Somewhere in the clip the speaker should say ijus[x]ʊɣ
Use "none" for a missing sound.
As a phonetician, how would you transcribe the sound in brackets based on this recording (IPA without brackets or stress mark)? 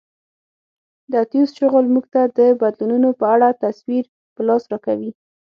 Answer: ʃ